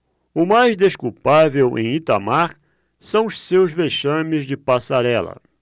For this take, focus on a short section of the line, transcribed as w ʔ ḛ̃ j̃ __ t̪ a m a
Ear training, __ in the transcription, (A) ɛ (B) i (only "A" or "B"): B